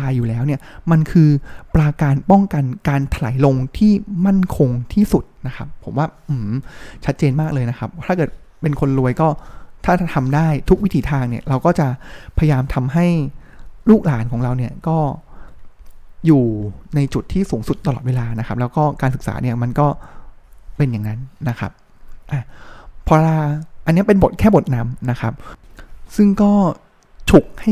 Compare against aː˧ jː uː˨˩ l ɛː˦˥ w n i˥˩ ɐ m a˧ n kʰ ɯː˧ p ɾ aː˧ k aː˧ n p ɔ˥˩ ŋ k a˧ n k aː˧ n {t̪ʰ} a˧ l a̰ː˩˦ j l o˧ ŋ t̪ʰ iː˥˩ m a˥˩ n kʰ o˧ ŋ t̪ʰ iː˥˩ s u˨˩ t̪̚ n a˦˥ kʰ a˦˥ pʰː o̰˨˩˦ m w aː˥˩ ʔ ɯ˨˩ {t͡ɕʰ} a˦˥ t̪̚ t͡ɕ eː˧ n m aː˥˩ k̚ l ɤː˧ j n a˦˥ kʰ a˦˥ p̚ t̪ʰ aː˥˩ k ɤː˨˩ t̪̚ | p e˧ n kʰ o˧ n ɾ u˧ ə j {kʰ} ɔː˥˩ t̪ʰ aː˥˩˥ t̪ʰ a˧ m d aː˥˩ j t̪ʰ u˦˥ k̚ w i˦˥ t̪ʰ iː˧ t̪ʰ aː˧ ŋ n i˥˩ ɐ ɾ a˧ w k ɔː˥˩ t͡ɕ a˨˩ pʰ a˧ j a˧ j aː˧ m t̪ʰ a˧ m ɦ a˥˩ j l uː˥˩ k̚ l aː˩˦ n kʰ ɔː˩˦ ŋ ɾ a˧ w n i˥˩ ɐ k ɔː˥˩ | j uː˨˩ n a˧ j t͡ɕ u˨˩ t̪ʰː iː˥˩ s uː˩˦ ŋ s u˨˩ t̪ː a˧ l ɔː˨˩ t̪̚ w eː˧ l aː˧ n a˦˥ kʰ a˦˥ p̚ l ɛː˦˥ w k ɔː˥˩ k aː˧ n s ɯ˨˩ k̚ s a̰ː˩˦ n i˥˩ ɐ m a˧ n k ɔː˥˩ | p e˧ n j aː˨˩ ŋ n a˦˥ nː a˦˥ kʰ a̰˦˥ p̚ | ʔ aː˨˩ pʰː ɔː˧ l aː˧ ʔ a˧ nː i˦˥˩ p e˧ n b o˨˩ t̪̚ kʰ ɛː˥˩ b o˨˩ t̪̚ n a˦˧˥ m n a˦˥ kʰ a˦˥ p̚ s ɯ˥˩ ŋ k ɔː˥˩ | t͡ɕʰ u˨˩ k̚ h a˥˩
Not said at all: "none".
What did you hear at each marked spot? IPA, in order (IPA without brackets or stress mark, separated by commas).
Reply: t̪ʰ, t͡ɕʰ, k